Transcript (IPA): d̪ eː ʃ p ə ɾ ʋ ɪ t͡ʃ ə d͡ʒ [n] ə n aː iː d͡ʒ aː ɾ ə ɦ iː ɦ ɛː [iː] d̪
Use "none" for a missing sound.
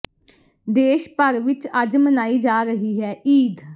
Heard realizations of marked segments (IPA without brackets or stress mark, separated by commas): m, iː